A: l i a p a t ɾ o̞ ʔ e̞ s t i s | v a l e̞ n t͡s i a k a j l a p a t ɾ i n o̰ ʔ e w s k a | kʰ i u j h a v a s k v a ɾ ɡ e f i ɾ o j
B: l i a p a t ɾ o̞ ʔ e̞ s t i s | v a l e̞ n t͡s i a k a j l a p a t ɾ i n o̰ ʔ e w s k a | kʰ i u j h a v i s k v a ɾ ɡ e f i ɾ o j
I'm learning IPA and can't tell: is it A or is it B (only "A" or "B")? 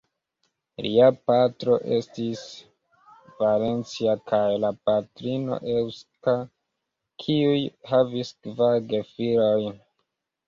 B